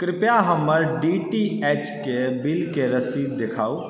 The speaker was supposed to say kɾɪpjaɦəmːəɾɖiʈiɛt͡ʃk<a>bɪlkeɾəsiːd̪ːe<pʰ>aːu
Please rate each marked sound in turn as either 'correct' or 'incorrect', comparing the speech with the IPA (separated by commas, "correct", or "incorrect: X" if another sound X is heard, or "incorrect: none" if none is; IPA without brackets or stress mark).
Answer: incorrect: e, incorrect: kʰ